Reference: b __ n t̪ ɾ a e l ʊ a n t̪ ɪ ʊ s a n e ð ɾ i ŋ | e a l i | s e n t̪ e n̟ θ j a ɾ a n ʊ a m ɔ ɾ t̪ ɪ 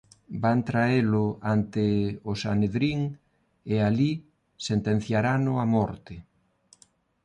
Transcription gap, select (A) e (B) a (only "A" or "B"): B